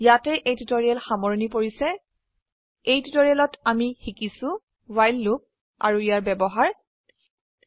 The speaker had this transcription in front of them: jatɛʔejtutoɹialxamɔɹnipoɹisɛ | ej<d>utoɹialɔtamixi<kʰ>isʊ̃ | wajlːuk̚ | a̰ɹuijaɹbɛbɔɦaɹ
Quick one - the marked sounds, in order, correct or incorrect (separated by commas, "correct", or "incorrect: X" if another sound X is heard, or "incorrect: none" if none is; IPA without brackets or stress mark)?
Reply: incorrect: t, incorrect: k